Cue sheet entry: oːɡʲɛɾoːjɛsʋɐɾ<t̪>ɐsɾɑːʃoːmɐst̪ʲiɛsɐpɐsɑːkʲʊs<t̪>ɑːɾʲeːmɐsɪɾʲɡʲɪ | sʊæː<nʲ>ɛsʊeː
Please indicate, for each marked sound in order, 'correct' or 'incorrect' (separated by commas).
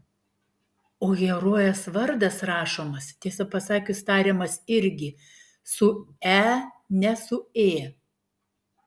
incorrect, correct, correct